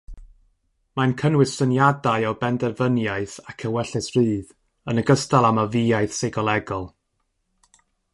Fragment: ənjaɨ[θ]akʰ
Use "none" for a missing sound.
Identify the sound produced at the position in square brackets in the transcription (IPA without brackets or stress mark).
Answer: θ